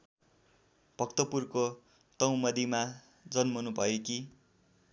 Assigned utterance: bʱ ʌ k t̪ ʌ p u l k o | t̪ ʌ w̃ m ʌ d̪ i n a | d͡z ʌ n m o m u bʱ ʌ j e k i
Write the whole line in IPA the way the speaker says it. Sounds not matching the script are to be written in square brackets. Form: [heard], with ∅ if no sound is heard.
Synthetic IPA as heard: bʱ ʌ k t̪ ʌ p u [r] k o | t̪ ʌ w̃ m ʌ d̪ i [m] a | d͡z ʌ n m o [n] u bʱ ʌ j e k i